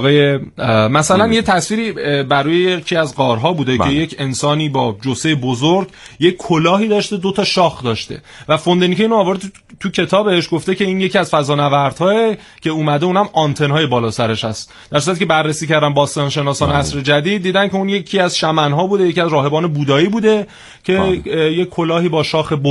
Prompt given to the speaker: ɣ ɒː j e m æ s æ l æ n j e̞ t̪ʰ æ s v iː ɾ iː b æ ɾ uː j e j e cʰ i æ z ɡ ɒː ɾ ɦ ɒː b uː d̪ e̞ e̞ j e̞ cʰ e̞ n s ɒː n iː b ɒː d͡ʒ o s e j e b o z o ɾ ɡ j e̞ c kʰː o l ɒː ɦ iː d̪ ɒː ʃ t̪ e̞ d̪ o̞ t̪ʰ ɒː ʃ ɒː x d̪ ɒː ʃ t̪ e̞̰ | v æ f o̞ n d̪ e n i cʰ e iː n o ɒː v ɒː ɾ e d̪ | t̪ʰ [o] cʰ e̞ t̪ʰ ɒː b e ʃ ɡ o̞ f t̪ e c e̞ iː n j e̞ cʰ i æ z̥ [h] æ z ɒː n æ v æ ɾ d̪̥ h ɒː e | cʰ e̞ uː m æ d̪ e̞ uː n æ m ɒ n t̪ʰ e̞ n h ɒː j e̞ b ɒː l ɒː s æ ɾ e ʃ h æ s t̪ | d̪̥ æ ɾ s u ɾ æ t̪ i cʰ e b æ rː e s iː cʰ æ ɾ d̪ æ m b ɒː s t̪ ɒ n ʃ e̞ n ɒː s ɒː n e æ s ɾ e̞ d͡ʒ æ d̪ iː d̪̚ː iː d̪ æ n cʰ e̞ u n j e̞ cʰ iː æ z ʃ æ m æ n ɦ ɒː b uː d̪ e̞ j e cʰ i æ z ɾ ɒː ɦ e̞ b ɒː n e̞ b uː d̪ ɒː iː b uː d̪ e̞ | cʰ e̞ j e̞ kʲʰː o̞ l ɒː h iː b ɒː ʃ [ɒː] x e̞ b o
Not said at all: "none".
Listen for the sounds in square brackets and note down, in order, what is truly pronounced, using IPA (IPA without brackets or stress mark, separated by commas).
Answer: u, f, ɒː